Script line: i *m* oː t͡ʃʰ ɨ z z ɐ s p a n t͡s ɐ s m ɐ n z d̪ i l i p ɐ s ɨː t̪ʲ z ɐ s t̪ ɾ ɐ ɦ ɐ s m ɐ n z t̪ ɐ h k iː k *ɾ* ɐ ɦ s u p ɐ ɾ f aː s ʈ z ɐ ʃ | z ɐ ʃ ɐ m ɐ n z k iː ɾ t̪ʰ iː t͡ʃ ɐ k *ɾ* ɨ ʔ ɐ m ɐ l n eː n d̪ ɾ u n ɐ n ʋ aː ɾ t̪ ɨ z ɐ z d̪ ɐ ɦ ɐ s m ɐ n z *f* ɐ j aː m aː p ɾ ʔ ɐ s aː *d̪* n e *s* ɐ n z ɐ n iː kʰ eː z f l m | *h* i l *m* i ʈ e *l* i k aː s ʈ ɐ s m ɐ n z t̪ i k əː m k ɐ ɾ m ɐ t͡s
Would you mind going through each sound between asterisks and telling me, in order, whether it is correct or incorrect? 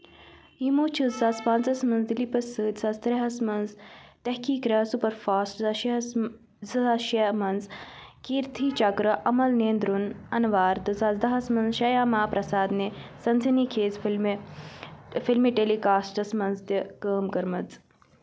correct, correct, correct, incorrect, correct, correct, incorrect, correct, correct

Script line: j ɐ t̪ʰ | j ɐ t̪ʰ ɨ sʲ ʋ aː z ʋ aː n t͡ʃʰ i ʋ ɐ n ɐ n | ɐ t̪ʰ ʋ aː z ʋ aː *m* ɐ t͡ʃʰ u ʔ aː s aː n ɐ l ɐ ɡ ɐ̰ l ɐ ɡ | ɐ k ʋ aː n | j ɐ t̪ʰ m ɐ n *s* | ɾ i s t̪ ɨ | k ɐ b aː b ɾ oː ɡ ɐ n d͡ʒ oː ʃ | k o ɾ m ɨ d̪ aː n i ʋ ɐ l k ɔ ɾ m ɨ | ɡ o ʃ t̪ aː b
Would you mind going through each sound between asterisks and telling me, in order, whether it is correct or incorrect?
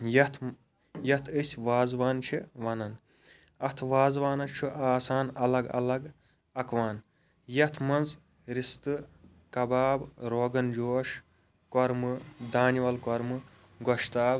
incorrect, incorrect

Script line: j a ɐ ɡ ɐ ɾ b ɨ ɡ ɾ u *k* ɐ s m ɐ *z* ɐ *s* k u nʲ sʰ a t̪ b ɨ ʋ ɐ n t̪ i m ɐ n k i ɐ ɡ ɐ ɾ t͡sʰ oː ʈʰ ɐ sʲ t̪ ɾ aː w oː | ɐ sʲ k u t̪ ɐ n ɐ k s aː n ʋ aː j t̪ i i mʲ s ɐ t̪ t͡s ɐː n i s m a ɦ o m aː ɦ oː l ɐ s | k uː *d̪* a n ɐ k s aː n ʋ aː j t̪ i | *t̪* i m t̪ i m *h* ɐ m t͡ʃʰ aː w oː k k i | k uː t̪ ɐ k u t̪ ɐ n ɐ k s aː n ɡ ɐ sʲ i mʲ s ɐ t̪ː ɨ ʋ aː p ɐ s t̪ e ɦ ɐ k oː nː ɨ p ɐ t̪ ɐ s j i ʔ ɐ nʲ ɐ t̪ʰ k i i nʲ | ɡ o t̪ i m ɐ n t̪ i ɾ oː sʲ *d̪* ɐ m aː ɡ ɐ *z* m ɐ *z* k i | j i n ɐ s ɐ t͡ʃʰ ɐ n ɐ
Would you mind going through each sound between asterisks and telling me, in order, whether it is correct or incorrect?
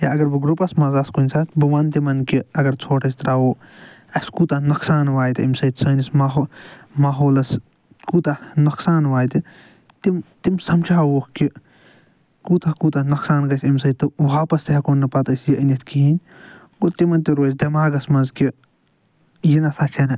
incorrect, correct, correct, incorrect, correct, incorrect, correct, incorrect, correct

